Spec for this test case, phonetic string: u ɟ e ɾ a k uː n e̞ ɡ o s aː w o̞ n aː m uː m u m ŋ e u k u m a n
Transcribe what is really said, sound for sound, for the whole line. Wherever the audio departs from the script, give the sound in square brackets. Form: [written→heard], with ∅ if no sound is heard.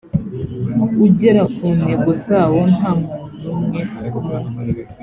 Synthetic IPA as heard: u ɟ e ɾ a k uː n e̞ ɡ o [s→z] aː w o̞ n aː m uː [m→n] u m ŋ e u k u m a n

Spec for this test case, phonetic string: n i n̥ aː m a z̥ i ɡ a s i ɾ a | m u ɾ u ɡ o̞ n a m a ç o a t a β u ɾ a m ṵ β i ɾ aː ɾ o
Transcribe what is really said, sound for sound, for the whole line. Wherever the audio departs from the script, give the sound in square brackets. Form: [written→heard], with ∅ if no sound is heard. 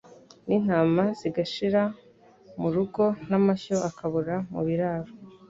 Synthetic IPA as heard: n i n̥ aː m a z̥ i ɡ a [s→ʃ] i ɾ a | m u ɾ u ɡ o̞ n a m a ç o a [t→k] a β u ɾ a m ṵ β i ɾ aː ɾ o

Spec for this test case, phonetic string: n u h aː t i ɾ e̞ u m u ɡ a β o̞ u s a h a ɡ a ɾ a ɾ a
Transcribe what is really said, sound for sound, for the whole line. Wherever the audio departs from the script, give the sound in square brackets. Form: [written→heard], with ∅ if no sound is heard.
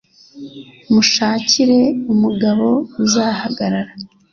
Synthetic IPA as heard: [n→m] u [h→ʃ] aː [t→c] i ɾ e̞ u m u ɡ a β o̞ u [s→z] a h a ɡ a ɾ a ɾ a

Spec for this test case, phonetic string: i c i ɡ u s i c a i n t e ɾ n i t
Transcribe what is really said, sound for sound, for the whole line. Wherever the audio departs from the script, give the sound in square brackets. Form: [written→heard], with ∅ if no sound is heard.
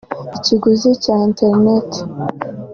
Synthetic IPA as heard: i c i ɡ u [s→z] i c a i n t e ɾ n [i→e] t

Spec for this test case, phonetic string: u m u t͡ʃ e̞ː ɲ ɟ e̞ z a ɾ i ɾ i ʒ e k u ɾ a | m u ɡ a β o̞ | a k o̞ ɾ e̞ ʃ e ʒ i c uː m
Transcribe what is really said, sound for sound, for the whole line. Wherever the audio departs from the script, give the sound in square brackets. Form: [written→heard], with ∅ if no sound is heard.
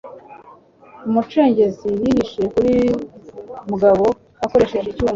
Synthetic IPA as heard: u m u t͡ʃ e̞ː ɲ ɟ e̞ z [a→i] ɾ i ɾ i [ʒ→ʃ] e k u ɾ [a→i] | m u ɡ a β o̞ | a k o̞ ɾ e̞ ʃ e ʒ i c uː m

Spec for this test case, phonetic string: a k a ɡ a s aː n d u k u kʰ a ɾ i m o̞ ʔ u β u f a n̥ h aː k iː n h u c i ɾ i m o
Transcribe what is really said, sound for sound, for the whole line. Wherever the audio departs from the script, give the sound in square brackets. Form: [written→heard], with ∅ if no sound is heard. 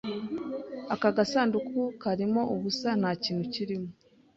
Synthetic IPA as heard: a k a ɡ a s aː n d u k u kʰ a ɾ i m o̞ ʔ u β u [f→s] a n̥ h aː [k→c] iː n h u c i ɾ i m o

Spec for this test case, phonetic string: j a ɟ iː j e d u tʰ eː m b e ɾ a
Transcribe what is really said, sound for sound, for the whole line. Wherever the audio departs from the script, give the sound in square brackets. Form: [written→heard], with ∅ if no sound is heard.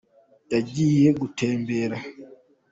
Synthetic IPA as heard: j a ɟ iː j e [d→ɡ] u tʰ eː m b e ɾ a

